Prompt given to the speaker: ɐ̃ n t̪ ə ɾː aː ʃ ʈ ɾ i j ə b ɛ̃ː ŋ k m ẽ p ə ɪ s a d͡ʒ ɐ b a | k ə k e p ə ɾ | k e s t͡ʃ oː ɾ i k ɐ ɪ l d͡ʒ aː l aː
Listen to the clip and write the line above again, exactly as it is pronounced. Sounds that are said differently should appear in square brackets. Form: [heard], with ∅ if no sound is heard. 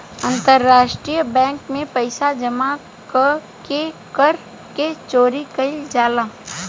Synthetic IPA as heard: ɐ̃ n t̪ ə ɾː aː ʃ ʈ ɾ i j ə b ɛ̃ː ŋ k m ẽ p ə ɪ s a d͡ʒ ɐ [m] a | k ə k e [k] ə ɾ | k e [∅] t͡ʃ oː ɾ i k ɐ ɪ l d͡ʒ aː l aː

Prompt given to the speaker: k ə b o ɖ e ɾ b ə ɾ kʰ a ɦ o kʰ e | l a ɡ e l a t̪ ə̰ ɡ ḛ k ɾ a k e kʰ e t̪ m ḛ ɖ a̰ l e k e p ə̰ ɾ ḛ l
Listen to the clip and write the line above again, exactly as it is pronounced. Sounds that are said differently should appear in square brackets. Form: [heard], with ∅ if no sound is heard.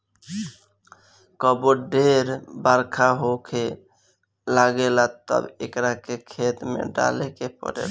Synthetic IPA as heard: k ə b o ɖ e ɾ b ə ɾ kʰ a ɦ o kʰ e | l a ɡ e l a t̪ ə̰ [b] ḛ k ɾ a k e kʰ e t̪ m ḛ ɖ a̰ l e k e p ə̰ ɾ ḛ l

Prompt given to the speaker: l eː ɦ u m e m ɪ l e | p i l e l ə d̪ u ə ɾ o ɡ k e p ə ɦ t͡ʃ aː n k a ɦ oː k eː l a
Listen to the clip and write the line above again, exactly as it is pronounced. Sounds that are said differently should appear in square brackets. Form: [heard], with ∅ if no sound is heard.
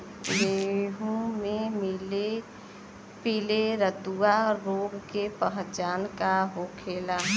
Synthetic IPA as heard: l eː ɦ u m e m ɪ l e | p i l e [ɾ] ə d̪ u [a] ɾ o ɡ k e p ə ɦ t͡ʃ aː n k a ɦ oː [kʰ] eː l a

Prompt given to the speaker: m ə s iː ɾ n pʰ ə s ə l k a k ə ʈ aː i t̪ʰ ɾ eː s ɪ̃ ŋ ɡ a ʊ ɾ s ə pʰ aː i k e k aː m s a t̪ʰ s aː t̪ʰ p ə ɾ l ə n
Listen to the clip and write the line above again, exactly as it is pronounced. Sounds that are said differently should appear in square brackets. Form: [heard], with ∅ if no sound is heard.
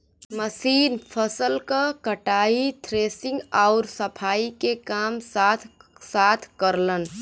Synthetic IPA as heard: m ə s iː [∅] n pʰ ə s ə l k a k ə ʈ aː i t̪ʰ ɾ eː s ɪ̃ ŋ ɡ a ʊ ɾ s ə pʰ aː i k e k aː m s a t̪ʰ s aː t̪ʰ [k] ə ɾ l ə n

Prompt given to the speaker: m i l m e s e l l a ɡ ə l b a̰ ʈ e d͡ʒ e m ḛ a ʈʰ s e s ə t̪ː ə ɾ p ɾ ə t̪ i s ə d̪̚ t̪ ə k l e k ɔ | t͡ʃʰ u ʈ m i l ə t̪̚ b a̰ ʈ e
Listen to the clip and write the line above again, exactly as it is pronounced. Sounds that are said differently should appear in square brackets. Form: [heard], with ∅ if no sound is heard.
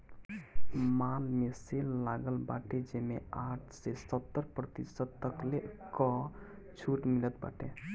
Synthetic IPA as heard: m [a] l m e s e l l a ɡ ə l b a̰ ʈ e d͡ʒ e m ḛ a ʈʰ s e s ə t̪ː ə ɾ p ɾ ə t̪ i s ə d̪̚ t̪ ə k l e k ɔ | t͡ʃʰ u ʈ m i l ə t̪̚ b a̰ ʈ e

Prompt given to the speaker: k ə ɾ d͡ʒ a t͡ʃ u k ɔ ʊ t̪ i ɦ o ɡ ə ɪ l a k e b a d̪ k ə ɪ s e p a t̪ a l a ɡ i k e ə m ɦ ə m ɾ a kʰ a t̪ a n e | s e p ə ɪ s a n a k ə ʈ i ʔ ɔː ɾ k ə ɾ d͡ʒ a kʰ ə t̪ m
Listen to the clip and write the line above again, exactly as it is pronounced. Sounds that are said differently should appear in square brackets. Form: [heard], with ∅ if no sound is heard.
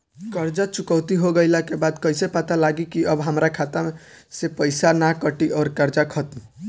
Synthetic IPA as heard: k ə ɾ d͡ʒ a t͡ʃ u k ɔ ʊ t̪ i ɦ o ɡ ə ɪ l a k e b a d̪ k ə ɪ s e p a t̪ a l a ɡ i k [i] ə [b] ɦ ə m ɾ a kʰ a t̪ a [m] e | s e p ə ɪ s a n a k ə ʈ i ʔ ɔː ɾ k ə ɾ d͡ʒ a kʰ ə t̪ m

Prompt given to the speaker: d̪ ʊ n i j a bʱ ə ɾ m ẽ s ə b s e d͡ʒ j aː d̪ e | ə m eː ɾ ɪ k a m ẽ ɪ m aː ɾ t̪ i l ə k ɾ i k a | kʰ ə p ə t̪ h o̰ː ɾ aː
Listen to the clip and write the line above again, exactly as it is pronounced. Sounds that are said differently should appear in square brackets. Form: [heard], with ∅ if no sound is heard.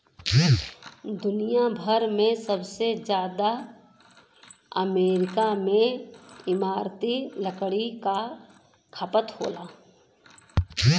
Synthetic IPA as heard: d̪ ʊ n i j a bʱ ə ɾ m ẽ s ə b s e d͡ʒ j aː d̪ [a] | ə m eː ɾ ɪ k a m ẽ ɪ m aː ɾ t̪ i l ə k [ɽ] i k a | kʰ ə p ə t̪ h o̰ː [l] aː

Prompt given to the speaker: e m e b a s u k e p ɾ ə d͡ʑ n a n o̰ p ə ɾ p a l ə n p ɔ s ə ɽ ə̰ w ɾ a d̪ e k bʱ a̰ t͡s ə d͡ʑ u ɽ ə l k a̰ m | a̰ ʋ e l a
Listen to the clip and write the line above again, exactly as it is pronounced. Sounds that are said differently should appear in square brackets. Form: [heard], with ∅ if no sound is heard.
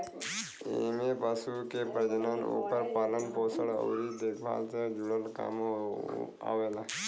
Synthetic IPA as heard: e m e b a s u k e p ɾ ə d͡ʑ n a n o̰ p ə ɾ p a l ə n p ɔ s ə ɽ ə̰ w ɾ [i] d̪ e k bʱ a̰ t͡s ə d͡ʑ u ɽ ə l k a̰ m | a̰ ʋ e l a

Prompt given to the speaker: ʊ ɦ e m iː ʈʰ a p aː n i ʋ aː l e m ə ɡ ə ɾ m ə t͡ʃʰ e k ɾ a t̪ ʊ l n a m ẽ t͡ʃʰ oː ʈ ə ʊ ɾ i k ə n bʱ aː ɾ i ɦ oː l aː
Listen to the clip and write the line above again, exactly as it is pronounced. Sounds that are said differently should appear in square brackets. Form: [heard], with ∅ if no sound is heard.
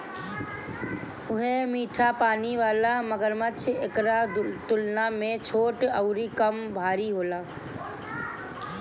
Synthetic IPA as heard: ʊ ɦ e m iː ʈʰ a p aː n i ʋ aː l [a] m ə ɡ ə ɾ m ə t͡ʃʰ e k ɾ a t̪ ʊ l n a m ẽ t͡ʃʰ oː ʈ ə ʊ ɾ i k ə [m] bʱ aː ɾ i ɦ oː l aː

